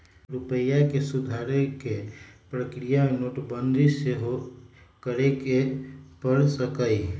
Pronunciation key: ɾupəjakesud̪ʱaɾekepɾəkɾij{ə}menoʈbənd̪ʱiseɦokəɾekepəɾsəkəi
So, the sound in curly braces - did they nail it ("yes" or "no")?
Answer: no